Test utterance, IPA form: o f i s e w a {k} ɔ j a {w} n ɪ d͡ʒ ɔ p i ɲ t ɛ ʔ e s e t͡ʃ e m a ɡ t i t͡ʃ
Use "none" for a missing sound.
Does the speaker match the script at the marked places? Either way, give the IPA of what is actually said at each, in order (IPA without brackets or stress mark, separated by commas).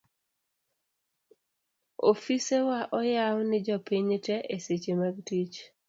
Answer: ʔ, w